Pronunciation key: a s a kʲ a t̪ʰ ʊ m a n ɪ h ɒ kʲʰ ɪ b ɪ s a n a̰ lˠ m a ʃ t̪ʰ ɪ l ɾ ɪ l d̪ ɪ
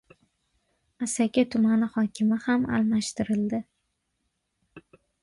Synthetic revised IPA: a s a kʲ a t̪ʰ ʊ m a n ɪ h ɒ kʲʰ ɪ m ɪ h a m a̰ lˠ m a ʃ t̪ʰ ɪ ɾ ɪ l d̪ ɪ